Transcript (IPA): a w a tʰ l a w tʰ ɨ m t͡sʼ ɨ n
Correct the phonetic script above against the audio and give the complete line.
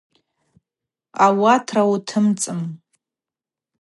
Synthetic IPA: a w a tʰ r a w tʰ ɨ m t͡sʼ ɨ m